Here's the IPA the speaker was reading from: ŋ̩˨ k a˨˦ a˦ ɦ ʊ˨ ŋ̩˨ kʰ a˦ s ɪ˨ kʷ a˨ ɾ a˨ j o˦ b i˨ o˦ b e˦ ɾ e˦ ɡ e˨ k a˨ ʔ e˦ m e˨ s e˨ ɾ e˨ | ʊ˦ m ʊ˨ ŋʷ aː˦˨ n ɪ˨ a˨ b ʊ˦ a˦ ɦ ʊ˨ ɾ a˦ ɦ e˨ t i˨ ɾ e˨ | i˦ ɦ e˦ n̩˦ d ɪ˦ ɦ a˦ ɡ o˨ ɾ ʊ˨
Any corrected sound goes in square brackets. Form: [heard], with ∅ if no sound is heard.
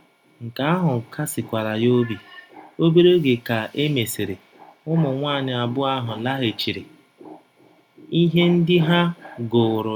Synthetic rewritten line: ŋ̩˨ k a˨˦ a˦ ɦ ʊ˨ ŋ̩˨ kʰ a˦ s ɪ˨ kʷ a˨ ɾ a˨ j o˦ b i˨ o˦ b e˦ ɾ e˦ ɡ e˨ k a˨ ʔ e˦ m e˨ s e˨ ɾ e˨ | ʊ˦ m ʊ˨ ŋʷ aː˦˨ [ɲ] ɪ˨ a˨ b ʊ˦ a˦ ɦ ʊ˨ [l] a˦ ɦ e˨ [t͡ʃ] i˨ ɾ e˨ | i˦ ɦ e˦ n̩˦ d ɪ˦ ɦ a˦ ɡ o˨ ɾ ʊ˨